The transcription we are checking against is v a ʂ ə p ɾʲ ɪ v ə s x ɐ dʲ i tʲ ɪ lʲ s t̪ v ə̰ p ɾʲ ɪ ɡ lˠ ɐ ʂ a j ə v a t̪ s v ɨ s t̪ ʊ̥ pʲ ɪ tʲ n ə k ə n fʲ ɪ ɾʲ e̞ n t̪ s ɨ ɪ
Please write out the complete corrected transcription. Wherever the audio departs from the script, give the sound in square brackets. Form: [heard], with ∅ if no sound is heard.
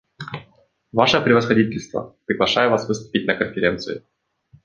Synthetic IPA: v a ʂ ə p ɾʲ ɪ v ə s x ɐ dʲ i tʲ ɪ lʲ s t̪ v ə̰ p ɾʲ ɪ ɡ lˠ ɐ ʂ a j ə v a [∅] s v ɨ s t̪ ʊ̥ pʲ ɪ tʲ n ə k ə n fʲ ɪ ɾʲ e̞ n t̪ s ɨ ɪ